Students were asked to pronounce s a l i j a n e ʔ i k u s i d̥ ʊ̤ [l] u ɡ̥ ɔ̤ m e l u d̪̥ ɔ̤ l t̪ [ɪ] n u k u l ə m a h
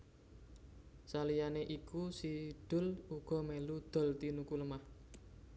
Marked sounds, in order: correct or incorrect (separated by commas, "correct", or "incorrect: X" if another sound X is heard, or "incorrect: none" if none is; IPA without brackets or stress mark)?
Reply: correct, incorrect: i